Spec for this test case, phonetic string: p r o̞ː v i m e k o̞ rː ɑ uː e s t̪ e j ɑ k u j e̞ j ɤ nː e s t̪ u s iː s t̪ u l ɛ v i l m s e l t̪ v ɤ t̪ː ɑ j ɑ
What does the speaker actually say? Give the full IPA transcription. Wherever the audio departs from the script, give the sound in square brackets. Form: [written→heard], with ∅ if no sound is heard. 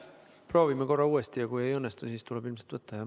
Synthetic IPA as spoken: p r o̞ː v i m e k o̞ rː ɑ uː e s t̪ [e→i] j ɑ k u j e̞ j ɤ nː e s t̪ u s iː s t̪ u l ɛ [v→b] i l m s e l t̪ v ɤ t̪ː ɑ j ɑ